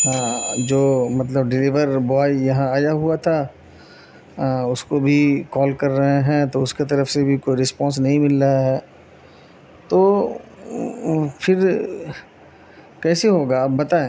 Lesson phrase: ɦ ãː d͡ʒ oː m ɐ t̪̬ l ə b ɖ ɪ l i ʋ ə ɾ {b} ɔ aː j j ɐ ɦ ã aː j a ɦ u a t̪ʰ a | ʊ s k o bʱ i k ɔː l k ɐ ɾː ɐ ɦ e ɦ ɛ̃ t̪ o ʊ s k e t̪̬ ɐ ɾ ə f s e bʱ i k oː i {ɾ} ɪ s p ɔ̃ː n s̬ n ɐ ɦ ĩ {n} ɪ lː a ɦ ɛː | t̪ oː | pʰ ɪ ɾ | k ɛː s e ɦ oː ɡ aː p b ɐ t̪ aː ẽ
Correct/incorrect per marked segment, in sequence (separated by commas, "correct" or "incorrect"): correct, correct, incorrect